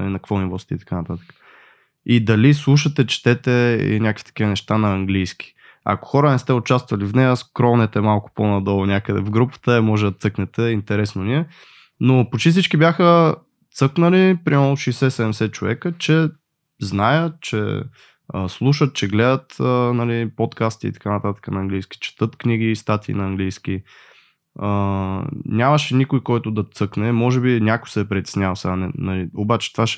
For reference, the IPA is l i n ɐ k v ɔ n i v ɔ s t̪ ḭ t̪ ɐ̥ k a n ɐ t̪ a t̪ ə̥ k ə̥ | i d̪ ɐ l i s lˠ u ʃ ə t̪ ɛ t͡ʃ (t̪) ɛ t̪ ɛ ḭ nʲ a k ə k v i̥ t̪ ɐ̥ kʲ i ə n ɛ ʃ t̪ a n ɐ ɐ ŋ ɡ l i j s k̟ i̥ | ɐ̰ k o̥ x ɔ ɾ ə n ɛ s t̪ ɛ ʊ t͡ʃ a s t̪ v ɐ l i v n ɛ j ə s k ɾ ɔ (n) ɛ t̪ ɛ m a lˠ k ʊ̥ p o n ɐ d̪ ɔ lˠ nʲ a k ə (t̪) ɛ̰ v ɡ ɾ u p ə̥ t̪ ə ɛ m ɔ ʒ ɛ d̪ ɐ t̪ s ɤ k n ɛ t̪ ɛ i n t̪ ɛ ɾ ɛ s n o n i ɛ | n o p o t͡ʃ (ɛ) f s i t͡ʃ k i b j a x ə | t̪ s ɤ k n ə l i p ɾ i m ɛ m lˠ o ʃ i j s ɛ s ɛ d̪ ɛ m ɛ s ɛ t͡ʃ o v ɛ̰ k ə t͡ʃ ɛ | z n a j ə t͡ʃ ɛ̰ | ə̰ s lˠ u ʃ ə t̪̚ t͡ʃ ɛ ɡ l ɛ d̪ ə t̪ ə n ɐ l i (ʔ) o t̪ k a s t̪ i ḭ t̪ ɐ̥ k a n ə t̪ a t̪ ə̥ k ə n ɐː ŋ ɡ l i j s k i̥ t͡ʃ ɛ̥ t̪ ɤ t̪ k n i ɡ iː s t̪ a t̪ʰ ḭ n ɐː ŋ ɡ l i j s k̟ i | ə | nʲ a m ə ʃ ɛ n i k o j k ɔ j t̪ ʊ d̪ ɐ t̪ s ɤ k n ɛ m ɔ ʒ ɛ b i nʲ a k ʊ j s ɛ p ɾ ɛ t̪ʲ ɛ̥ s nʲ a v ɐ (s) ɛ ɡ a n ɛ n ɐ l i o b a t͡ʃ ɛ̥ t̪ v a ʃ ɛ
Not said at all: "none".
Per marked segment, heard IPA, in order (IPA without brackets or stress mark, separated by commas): t̪, n, d̪, i, p, s